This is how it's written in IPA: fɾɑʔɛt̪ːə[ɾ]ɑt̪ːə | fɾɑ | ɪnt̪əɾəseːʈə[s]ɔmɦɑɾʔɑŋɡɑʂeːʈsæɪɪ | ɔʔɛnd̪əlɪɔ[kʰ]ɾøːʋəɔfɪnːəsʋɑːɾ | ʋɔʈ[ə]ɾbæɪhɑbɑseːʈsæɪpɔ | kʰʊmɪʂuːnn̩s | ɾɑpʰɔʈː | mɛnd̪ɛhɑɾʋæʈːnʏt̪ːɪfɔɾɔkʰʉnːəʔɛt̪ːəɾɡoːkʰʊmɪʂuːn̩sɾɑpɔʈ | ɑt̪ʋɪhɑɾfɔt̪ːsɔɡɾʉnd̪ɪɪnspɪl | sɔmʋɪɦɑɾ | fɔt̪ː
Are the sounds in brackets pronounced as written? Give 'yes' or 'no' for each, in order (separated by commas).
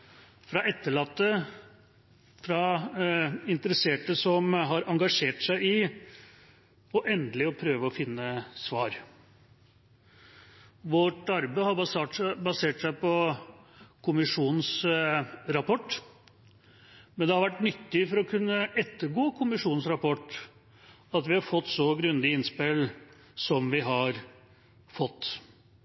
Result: no, yes, no, no